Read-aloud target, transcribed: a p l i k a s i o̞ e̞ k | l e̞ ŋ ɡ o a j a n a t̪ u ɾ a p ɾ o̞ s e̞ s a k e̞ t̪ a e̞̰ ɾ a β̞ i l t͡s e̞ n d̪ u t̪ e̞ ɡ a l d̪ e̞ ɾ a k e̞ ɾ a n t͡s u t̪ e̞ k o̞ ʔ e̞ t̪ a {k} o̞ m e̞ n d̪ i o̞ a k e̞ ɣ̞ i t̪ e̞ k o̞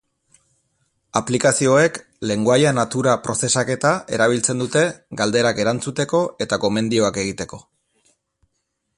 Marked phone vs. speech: correct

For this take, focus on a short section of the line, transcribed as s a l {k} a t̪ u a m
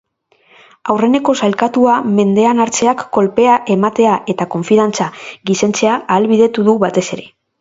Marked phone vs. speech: correct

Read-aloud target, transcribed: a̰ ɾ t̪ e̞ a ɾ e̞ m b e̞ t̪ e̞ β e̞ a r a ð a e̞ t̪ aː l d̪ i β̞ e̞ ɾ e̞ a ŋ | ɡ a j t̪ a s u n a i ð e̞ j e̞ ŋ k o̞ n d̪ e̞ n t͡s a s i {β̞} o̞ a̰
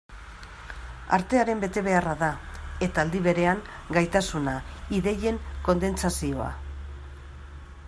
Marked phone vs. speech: incorrect: none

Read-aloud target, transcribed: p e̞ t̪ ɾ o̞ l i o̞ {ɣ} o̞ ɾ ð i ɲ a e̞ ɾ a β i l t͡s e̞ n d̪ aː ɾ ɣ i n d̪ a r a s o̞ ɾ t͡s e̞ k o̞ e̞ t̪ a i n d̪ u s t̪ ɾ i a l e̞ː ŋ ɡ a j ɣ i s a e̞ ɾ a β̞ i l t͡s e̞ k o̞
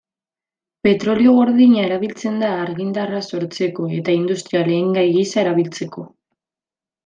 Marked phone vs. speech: correct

